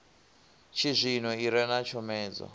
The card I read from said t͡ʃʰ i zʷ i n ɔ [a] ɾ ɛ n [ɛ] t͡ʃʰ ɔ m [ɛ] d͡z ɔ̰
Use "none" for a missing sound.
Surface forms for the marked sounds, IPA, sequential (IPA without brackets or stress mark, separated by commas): i, a, ɛː